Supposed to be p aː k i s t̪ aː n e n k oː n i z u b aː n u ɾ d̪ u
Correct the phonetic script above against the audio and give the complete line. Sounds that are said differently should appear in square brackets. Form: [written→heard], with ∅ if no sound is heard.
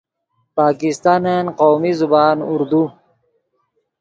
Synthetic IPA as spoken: p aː k i s t̪ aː n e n [k→q] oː [n→m] i z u b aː n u ɾ d̪ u